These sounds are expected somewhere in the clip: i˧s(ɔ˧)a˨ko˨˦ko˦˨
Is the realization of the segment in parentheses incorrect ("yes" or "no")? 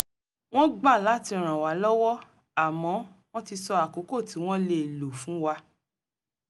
no